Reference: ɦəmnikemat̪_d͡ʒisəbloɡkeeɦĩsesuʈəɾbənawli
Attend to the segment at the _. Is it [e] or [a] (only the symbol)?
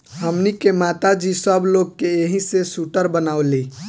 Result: a